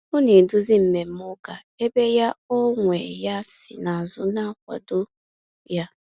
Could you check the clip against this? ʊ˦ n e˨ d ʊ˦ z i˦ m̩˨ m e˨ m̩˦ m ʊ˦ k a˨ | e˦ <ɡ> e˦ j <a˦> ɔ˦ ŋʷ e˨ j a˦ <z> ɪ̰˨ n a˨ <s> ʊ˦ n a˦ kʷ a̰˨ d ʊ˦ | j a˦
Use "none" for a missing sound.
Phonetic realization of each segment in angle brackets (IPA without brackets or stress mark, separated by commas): b, a˦, s, z